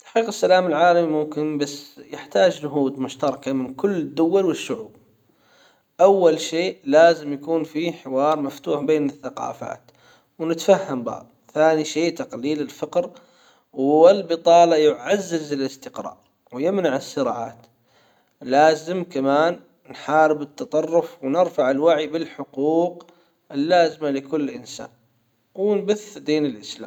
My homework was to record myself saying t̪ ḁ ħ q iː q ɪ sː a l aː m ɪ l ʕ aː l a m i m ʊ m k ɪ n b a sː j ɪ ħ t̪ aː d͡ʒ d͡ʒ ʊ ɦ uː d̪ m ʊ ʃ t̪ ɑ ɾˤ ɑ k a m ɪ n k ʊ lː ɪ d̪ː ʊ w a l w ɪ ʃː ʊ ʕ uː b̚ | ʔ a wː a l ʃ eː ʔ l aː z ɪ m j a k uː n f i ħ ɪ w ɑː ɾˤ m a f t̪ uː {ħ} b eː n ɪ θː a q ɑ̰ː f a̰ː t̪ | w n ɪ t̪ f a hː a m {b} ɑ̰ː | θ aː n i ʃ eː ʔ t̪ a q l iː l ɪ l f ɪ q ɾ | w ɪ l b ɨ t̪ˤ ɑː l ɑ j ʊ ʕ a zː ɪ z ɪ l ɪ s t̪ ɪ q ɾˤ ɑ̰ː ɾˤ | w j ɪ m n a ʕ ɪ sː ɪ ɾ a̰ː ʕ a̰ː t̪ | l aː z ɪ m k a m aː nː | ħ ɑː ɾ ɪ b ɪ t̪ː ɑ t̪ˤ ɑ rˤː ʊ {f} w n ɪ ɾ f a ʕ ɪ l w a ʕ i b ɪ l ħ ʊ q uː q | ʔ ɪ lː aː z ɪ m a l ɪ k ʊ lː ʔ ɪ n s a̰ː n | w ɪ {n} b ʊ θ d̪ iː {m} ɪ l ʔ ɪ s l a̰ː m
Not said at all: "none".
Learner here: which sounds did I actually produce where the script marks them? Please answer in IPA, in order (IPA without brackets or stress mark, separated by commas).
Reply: ħ, b, f, n, n